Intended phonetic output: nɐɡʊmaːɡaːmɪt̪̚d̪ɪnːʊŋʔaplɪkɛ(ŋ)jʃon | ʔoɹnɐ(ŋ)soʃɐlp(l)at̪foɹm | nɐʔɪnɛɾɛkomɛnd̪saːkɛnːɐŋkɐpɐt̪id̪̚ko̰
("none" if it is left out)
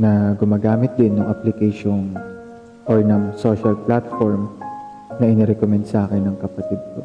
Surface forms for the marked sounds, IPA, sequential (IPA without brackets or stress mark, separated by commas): none, ŋ, l